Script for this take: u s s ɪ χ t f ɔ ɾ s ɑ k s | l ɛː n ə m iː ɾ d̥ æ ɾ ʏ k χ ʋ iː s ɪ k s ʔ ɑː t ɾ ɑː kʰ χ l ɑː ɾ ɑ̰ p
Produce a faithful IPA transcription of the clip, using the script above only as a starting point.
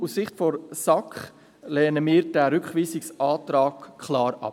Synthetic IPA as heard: u s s ɪ χ t f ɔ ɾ s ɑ k χ | l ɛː n ə m iː ɾ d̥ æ ɾ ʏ k χ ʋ iː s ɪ k s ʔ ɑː t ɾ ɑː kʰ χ l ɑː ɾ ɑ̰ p

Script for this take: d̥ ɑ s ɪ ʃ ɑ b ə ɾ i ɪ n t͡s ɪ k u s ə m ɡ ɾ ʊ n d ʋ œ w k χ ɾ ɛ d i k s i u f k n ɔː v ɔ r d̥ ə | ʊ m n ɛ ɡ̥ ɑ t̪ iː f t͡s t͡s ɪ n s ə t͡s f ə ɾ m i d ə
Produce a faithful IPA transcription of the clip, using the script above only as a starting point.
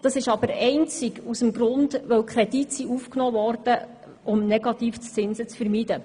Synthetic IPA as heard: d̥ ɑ s ɪ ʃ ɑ b ə ɾ ɛ ɪ n t͡s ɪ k u s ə m ɡ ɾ ʊ n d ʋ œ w k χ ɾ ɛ d i t s i u f k n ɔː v ɔ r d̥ ə | ʊ m n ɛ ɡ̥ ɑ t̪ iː f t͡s t͡s ɪ n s ə t͡s f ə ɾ m i d ə

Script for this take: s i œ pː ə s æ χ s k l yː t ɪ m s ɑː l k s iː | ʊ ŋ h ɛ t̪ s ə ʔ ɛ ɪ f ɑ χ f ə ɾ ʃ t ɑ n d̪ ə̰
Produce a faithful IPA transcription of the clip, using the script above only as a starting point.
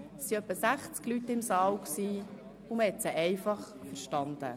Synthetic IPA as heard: s i œ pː ə s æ χ t͡s k l y t ɪ m s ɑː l k s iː | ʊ m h ɛ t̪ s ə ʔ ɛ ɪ f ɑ χ f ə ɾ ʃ t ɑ n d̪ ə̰

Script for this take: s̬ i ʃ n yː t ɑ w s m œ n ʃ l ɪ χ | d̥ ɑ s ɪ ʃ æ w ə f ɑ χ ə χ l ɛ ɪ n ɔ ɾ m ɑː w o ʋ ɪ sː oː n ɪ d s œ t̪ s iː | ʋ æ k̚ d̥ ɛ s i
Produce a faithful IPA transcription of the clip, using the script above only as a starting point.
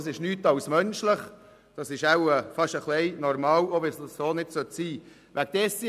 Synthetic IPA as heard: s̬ ɪ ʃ n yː t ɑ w s m œ n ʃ l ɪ χ | d̥ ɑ s ɪ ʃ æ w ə f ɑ ʃ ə χ l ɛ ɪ n ɔ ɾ m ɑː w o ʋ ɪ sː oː n ɪ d s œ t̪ s iː | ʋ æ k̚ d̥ ɛ s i

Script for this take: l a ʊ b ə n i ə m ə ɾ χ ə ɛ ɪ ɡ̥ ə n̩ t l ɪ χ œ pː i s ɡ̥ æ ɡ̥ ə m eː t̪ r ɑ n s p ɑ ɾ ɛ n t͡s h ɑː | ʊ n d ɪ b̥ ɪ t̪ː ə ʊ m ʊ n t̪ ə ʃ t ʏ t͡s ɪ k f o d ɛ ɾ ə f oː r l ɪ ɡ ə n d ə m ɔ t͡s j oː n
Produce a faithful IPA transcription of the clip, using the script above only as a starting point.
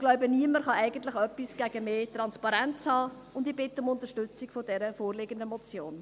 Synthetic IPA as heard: l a ʊ b ə n i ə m ə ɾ χ ɑ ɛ ɪ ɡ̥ ə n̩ t l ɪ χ œ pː i s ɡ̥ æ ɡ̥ ə m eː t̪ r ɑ n s p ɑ ɾ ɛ n t͡s h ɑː | ʊ n d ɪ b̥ ɪ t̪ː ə ʊ m ʊ n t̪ ə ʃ t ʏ t͡s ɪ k f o d ɛ ɾ ə f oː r l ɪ ɡ ə n d ə m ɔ t͡s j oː n

